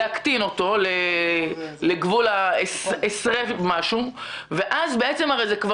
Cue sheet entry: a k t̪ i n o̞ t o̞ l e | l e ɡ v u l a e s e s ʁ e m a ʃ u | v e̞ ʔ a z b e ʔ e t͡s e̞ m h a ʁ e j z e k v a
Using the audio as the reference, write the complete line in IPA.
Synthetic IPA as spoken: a k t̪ i n o̞ t o̞ l e | l e ɡ v u l a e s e s ʁ e m a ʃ u | v e̞ ʔ a z b e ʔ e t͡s e̞ m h a ʁ e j z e k v a